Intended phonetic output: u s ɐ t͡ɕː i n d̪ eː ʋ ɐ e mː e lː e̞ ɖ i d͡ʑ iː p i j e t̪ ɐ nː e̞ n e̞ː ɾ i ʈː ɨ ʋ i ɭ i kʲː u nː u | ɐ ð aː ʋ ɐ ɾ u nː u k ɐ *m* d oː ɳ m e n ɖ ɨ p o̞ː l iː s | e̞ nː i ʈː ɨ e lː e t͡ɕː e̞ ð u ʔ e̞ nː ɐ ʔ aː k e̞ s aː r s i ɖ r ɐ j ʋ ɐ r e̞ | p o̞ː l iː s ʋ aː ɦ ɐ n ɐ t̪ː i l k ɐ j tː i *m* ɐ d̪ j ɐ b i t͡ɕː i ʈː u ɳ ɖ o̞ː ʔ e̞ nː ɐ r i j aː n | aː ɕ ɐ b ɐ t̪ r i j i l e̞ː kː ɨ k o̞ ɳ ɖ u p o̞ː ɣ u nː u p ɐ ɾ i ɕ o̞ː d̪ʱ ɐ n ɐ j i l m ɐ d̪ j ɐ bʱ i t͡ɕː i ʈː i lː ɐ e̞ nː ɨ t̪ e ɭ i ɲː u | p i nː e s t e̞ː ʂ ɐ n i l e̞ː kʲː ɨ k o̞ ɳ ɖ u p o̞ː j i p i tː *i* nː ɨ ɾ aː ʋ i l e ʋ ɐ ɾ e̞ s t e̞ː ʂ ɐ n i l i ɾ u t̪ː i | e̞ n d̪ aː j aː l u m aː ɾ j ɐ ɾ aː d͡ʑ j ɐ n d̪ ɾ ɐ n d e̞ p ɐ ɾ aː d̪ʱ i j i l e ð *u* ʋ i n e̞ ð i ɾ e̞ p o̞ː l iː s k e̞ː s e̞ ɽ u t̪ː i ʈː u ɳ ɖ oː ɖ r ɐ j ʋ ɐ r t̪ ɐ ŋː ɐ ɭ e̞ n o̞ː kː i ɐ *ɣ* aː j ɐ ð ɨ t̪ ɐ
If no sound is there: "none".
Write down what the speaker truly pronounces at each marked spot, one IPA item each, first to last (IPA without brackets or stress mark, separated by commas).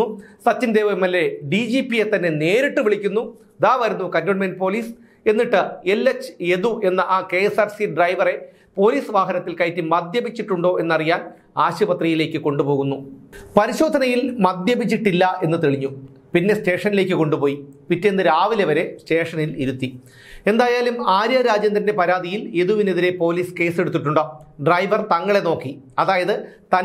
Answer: n, m, e, u, ð